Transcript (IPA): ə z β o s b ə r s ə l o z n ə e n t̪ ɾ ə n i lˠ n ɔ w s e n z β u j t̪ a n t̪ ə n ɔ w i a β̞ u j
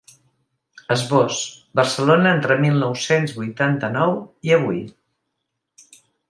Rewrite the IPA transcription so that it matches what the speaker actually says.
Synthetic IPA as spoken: ə z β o s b ə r s ə l o n ə e n t̪ ɾ ə m i lˠ n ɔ w s e n z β u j t̪ a n t̪ ə n ɔ w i ə β̞ u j